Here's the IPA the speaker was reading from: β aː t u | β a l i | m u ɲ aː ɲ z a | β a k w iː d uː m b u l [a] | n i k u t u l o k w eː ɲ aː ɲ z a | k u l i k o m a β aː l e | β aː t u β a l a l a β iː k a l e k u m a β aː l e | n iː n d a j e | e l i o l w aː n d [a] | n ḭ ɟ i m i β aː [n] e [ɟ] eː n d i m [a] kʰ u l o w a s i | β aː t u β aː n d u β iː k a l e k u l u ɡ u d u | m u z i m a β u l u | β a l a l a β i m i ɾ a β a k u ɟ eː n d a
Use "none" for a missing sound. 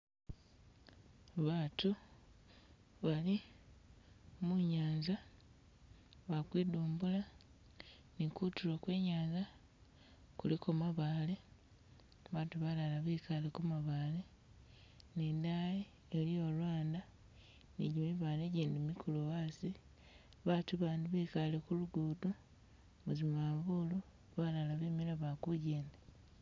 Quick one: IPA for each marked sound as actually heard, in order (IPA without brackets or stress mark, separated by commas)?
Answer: a, a, n, ɟ, i